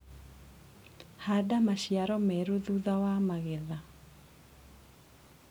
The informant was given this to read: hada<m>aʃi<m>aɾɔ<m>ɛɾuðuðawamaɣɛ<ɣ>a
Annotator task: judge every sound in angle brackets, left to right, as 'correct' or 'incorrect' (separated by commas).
correct, incorrect, correct, incorrect